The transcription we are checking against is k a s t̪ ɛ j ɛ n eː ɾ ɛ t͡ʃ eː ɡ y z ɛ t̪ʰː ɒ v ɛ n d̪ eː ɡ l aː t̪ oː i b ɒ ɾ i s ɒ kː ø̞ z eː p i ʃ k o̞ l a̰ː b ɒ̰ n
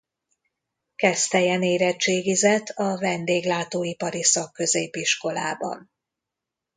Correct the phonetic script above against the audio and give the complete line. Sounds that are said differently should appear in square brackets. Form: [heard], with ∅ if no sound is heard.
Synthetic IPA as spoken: k [ɛ] s t̪ ɛ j ɛ n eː ɾ ɛ t͡ʃ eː ɡ [i] z ɛ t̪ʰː ɒ v ɛ n d̪ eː ɡ l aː t̪ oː i [p] ɒ ɾ i s ɒ kː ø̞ z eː p i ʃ k o̞ l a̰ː b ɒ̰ n